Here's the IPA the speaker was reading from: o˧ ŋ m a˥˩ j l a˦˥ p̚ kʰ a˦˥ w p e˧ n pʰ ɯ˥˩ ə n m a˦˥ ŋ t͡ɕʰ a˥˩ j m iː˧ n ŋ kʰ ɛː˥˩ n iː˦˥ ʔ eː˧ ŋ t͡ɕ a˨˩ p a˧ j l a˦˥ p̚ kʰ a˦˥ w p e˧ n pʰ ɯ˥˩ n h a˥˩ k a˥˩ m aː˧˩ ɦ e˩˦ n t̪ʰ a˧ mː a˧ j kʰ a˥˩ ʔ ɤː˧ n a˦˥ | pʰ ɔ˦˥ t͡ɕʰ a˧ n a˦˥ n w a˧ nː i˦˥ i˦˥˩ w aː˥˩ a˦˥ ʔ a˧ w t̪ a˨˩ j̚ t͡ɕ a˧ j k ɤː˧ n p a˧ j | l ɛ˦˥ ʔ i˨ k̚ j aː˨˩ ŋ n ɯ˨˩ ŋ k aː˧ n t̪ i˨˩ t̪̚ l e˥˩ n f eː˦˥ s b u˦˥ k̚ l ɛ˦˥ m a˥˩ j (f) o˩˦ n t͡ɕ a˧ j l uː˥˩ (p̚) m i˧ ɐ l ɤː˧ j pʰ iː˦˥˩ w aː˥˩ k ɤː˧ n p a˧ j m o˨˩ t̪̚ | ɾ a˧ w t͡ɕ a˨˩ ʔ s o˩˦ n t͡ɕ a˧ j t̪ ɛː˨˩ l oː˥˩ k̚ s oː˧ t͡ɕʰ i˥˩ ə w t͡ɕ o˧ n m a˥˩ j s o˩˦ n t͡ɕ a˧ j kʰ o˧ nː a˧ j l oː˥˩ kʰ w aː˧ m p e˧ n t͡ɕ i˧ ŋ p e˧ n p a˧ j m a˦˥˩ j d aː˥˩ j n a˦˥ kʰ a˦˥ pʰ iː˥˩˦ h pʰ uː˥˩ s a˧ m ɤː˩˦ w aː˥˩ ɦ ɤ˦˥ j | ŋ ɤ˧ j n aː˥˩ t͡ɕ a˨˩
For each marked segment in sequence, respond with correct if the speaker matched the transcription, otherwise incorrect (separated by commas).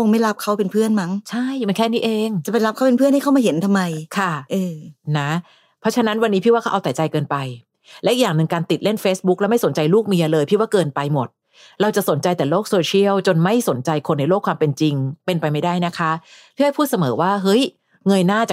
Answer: incorrect, incorrect